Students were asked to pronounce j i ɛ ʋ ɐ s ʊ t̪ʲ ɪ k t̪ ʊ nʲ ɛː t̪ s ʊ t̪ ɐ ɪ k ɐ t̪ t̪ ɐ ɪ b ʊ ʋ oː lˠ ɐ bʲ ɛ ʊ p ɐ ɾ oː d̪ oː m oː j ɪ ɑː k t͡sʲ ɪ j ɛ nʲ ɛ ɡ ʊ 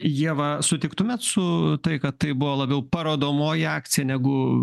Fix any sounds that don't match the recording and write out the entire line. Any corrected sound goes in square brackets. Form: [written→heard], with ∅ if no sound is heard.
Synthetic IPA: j i ɛ ʋ ɐ s ʊ t̪ʲ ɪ k t̪ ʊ [nʲ→mʲ] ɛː t̪ s ʊ t̪ ɐ ɪ k ɐ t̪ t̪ ɐ ɪ b ʊ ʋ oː lˠ ɐ bʲ ɛ ʊ p ɐ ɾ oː d̪ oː m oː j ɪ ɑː k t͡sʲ ɪ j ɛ nʲ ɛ ɡ ʊ